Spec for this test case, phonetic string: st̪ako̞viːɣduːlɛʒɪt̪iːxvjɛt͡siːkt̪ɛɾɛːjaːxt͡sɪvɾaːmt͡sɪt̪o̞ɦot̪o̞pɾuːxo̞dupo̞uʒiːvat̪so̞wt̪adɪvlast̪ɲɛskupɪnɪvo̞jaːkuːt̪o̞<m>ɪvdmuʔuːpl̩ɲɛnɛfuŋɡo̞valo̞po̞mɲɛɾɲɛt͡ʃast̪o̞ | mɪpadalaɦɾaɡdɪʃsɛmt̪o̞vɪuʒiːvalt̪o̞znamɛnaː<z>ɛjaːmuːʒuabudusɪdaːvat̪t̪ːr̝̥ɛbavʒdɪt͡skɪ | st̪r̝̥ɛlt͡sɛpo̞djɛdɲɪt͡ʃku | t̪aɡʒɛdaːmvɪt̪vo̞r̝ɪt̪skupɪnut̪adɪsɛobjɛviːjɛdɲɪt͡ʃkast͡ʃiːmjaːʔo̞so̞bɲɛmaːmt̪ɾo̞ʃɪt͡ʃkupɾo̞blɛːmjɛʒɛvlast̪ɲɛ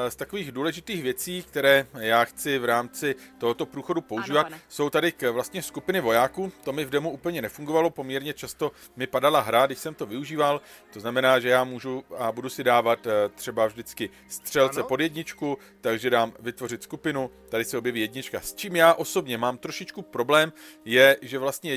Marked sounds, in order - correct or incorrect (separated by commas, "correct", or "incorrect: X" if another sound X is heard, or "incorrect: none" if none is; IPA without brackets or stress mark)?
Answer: correct, incorrect: ʒ